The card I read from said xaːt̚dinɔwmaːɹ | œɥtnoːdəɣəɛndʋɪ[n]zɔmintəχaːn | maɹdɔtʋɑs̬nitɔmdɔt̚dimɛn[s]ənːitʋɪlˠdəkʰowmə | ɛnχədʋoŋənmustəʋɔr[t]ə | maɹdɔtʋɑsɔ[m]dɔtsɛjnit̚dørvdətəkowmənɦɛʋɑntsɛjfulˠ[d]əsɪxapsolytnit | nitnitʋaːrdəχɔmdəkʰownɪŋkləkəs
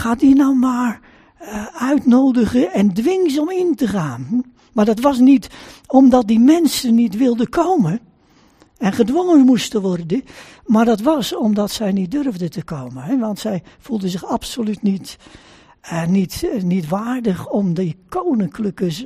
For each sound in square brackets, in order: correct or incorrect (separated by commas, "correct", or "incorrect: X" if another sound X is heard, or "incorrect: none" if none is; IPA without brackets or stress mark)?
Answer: incorrect: ŋ, correct, incorrect: d, correct, correct